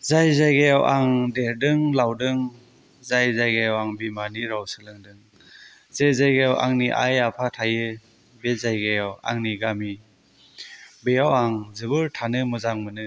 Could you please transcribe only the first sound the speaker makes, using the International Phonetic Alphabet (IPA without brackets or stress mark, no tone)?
z